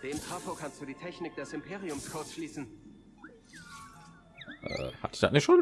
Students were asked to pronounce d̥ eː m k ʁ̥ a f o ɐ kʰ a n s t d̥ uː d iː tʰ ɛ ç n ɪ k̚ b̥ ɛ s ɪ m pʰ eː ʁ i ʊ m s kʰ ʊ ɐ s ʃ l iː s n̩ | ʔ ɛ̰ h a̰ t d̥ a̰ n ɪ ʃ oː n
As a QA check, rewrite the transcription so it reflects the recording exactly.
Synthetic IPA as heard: d̥ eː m t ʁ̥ a f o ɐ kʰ a n s t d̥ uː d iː tʰ ɛ ç n ɪ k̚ d̥ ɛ s ɪ m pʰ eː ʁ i ʊ m s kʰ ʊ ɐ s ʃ l iː s n̩ | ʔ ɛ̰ h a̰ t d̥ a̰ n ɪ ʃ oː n